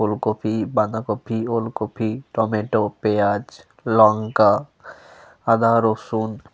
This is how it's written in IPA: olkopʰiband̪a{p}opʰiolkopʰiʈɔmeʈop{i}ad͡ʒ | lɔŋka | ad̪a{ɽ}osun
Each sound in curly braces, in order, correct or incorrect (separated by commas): incorrect, incorrect, incorrect